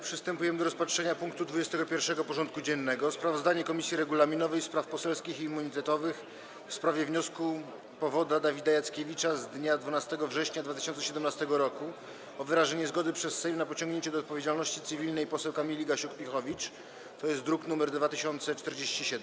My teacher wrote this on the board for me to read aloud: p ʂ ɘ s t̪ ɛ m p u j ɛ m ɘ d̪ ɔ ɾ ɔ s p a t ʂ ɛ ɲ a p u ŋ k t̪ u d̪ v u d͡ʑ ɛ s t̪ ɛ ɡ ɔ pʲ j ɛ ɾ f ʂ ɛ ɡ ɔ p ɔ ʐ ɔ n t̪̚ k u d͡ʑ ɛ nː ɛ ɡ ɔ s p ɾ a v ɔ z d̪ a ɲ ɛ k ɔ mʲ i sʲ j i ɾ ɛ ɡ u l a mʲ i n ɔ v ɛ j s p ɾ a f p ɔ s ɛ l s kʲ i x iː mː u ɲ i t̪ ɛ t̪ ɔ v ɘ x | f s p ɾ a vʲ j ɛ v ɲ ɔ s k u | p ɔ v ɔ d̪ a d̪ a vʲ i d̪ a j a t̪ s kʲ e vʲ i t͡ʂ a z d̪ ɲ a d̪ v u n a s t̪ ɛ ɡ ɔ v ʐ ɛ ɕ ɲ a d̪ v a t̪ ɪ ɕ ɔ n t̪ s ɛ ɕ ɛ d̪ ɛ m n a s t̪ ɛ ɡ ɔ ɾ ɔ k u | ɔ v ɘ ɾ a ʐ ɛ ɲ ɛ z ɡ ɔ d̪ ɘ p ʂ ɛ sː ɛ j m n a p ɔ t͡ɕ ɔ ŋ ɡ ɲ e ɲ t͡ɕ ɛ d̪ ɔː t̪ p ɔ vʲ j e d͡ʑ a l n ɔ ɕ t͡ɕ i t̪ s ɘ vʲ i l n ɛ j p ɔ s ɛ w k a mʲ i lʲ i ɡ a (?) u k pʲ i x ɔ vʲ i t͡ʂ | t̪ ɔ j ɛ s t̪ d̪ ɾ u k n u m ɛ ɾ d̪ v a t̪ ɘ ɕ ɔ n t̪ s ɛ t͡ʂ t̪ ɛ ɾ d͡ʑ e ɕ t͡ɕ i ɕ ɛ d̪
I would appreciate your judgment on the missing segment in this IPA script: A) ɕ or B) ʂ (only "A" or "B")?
A